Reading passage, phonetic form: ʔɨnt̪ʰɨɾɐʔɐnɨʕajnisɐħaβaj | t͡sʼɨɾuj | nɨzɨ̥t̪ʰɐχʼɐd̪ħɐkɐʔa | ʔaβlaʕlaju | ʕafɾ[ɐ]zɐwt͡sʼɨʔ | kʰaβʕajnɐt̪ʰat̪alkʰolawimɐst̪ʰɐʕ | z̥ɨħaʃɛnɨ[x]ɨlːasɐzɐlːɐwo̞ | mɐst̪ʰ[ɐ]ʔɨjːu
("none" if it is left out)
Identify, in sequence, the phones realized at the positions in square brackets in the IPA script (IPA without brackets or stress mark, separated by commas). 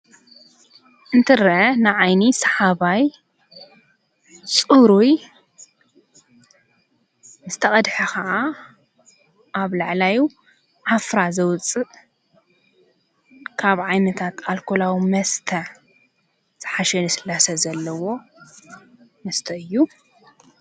a, s, ɐ